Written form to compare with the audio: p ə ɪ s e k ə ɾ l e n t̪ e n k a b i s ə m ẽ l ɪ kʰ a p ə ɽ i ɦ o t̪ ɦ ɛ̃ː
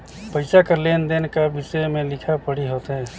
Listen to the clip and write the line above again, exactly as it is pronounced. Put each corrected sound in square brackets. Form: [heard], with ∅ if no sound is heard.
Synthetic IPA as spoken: p ə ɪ s [a] k ə ɾ l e n [d̪] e n k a b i s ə m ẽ l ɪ kʰ a p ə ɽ i ɦ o t̪ ɦ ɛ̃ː